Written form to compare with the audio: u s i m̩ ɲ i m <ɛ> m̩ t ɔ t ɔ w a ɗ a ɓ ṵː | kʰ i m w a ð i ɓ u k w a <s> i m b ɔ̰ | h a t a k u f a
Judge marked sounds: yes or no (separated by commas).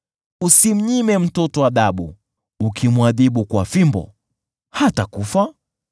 yes, no